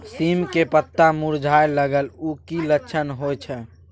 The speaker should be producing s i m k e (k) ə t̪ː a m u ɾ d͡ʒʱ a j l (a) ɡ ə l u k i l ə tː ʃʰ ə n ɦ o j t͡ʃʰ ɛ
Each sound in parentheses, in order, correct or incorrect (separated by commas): incorrect, incorrect